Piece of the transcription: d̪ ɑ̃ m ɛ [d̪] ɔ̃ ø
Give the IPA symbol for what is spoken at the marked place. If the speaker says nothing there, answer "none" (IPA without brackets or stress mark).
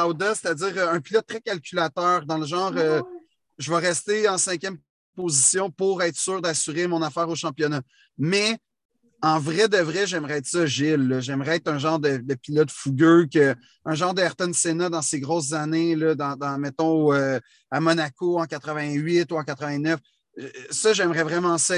t̪